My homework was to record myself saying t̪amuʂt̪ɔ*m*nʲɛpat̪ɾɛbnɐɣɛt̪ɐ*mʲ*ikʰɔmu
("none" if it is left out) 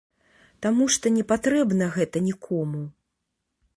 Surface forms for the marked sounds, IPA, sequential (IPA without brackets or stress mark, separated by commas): none, nʲ